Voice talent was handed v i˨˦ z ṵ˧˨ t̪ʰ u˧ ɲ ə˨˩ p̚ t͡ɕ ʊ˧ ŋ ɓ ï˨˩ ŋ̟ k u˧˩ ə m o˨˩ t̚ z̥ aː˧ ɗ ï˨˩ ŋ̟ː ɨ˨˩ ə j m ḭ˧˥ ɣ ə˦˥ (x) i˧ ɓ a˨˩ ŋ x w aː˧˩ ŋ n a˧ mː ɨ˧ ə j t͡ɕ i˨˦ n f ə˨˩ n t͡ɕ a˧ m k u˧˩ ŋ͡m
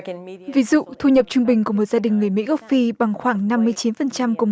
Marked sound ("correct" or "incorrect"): incorrect